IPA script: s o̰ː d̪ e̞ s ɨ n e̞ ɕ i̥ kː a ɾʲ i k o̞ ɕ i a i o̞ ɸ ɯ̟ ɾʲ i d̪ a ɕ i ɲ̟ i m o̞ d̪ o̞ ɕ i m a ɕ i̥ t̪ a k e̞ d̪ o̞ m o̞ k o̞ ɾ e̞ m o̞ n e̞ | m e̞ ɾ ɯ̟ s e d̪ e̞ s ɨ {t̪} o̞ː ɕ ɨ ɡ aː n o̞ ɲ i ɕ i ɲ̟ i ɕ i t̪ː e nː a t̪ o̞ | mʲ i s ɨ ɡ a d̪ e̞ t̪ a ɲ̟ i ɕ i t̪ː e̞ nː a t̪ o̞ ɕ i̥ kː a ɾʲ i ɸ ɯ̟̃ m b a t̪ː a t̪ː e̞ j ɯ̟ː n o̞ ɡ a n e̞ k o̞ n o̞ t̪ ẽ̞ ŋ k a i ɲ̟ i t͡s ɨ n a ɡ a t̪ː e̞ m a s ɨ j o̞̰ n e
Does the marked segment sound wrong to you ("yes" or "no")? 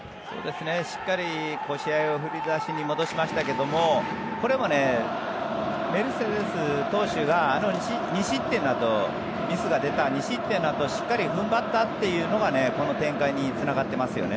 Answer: no